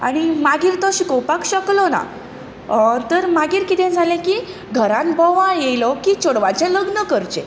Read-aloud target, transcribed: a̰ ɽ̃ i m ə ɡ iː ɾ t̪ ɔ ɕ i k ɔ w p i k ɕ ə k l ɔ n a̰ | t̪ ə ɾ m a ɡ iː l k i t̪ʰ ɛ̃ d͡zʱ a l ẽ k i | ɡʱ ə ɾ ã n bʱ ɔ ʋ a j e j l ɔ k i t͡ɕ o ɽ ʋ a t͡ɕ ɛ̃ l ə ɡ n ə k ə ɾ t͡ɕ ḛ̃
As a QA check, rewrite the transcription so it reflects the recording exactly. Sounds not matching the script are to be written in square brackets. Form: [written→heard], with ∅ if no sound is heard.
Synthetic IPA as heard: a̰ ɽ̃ i m [ə→a] ɡ iː ɾ t̪ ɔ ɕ i k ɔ w p [i→a] k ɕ ə k l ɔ n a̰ | t̪ ə ɾ m a ɡ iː [l→ɾ] k i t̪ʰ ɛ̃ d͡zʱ a l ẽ k i | ɡʱ ə ɾ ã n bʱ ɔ ʋ a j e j l ɔ k i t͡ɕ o ɽ ʋ a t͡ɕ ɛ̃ l ə ɡ n ə k ə ɾ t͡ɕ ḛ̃